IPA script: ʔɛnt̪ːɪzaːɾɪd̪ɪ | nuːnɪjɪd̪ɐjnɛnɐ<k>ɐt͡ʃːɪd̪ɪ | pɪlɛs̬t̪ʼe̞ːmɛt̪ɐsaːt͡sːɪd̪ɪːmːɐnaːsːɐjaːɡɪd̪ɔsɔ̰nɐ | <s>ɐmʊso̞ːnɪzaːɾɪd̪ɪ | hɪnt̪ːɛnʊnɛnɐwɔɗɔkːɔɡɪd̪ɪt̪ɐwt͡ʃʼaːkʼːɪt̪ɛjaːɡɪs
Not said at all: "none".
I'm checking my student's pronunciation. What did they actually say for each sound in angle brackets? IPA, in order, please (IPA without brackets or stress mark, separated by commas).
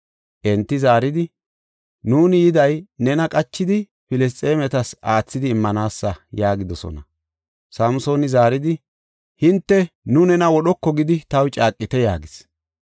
kʼ, s